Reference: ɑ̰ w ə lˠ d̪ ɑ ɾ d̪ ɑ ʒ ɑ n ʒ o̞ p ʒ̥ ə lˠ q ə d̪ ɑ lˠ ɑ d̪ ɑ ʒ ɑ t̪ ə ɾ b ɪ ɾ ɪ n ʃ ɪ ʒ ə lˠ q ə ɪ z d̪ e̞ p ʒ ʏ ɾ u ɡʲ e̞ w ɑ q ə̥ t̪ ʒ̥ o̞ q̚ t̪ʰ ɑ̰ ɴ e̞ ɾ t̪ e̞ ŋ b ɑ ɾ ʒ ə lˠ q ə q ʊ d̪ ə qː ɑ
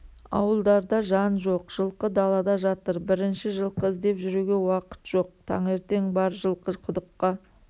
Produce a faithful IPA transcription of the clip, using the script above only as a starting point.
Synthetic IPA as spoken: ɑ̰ w ə lˠ d̪ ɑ ɾ d̪ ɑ ʒ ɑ n ʒ o̞ q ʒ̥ ə lˠ q ə d̪ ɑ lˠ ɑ d̪ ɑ ʒ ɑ t̪ ə ɾ b ɪ ɾ ɪ n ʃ ɪ ʒ ə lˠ q ə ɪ z d̪ e̞ p ʒ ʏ ɾ u ɡʲ e̞ w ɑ q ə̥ t̪ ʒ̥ o̞ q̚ t̪ʰ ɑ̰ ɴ e̞ ɾ t̪ e̞ ŋ b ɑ ɾ ʒ ə lˠ q ə qʰ ʊ d̪ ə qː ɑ